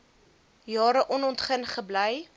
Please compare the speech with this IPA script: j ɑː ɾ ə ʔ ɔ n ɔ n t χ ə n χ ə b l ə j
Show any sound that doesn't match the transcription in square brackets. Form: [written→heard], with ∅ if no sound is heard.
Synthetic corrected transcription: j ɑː ɾ ə ʔ ɔ n ɔ n t χ ə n χ ə b l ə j